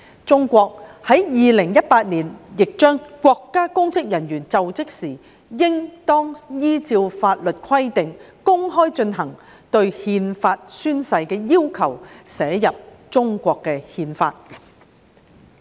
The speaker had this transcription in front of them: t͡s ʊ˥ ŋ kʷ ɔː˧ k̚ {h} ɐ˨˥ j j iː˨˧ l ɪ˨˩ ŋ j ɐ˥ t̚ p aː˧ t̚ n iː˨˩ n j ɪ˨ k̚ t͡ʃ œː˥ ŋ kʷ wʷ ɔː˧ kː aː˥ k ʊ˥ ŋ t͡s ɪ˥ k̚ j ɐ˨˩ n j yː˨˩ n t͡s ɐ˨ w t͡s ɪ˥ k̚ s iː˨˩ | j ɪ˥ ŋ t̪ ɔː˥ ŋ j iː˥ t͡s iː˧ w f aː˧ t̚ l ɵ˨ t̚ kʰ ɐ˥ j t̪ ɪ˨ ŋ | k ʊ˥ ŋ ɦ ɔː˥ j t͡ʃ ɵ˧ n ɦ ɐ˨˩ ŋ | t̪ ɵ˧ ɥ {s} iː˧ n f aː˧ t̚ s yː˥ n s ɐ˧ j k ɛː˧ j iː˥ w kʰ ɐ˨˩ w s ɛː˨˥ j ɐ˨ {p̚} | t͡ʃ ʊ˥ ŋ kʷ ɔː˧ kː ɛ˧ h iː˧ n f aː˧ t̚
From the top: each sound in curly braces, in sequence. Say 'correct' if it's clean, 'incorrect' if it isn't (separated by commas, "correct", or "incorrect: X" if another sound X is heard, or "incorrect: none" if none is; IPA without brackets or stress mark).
correct, incorrect: h, correct